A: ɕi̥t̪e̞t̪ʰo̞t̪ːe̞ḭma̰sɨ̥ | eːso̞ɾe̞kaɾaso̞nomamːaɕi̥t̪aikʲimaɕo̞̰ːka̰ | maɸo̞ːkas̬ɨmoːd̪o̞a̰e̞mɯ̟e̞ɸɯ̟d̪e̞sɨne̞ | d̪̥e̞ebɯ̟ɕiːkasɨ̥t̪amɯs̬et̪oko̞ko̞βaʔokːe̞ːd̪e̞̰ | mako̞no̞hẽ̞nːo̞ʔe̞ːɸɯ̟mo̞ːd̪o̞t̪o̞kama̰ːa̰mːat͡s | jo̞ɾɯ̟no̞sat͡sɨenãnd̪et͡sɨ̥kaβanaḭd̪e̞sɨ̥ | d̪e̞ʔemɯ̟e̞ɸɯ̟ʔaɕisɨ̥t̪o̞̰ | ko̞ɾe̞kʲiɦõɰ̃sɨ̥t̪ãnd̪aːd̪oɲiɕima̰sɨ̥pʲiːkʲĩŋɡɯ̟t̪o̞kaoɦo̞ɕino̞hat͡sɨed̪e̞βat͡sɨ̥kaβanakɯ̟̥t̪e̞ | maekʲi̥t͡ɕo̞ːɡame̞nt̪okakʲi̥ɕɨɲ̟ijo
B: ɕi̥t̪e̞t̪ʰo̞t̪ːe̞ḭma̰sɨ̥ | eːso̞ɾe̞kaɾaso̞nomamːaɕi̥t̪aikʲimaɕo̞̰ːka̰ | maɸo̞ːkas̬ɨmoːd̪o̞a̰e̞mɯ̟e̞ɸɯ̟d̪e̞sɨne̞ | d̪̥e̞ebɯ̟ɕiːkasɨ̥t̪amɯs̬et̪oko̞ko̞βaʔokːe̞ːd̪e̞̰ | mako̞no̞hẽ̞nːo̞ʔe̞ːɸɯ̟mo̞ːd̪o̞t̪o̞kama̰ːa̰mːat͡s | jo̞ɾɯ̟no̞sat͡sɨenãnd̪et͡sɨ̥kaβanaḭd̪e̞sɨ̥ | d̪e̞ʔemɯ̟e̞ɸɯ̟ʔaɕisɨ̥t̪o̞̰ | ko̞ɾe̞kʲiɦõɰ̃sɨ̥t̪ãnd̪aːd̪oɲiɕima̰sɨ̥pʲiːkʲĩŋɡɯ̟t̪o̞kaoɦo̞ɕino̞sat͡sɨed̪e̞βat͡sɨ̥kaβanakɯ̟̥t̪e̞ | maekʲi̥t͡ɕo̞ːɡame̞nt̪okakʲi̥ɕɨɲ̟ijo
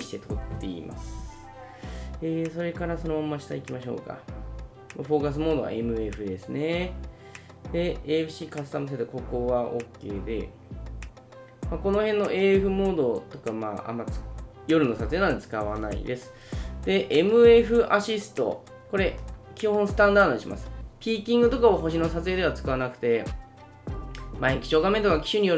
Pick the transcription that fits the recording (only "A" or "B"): B